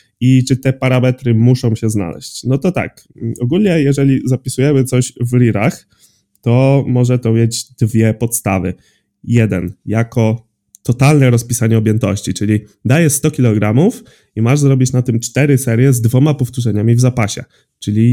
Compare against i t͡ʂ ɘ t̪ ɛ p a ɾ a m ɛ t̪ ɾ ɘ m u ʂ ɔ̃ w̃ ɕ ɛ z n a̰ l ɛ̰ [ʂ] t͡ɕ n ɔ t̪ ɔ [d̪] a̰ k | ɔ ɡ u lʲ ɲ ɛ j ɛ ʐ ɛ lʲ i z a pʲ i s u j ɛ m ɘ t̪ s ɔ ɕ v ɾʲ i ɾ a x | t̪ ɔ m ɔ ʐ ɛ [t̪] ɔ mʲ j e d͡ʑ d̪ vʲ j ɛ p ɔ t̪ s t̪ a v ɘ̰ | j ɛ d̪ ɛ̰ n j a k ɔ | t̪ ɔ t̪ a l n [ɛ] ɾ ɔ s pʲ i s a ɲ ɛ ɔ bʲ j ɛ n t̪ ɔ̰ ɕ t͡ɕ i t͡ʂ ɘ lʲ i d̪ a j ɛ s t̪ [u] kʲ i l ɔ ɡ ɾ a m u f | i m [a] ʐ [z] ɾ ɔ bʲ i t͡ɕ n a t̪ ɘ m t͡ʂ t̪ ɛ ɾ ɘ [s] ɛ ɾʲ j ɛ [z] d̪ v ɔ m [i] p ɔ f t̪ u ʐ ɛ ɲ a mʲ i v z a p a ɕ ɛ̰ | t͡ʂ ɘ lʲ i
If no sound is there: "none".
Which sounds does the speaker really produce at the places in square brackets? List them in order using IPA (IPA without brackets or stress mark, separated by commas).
ɕ, t̪, t̪, ɛ, ɔ, a, z, s, z, a